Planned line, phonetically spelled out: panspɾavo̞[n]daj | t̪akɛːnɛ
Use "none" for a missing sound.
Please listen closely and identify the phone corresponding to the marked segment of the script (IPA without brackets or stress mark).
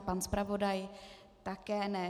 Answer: none